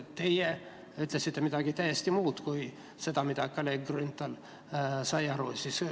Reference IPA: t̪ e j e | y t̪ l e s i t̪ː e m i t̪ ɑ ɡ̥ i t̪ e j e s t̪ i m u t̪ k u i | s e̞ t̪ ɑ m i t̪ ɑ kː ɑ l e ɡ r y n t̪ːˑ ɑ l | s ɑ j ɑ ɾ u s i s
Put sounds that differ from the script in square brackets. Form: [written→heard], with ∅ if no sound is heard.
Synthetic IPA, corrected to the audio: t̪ e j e | y t̪ l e s i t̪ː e m i t̪ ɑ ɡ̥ i t̪ [e→æ] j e s t̪ i m [u→uː] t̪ k u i | s e̞ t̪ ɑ m i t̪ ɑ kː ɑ l e ɡ r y n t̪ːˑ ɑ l | s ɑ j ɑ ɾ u s i s